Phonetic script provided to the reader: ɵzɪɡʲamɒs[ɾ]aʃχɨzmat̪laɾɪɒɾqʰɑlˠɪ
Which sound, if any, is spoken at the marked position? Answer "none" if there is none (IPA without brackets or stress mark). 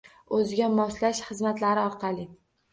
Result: l